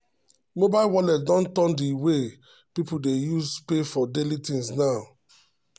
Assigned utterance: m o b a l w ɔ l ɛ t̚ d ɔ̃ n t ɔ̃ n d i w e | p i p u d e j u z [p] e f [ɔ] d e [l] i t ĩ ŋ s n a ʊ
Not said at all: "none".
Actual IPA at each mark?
p, ɔ, l

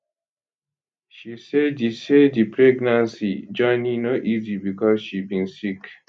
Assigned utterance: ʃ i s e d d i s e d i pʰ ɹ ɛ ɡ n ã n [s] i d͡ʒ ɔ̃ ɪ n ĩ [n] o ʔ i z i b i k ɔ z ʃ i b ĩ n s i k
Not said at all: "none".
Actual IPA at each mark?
s, n

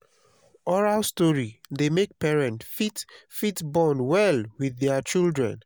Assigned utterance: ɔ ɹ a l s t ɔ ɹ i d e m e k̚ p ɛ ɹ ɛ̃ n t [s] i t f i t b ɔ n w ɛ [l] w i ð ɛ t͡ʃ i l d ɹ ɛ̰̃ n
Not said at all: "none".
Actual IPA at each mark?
f, l

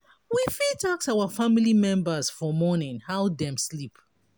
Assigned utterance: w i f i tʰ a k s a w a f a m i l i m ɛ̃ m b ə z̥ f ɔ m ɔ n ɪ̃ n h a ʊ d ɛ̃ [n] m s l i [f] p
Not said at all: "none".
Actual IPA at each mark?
none, none

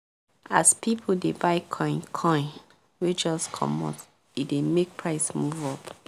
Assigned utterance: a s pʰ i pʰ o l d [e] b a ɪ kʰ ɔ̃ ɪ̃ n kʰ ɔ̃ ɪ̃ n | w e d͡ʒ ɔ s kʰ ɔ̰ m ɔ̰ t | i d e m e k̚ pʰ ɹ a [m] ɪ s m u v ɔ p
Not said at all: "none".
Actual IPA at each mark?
e, none

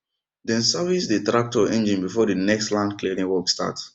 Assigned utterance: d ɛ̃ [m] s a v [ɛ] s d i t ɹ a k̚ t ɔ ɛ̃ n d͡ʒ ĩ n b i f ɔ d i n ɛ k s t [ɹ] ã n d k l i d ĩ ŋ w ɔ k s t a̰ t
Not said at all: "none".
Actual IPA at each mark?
n, i, l

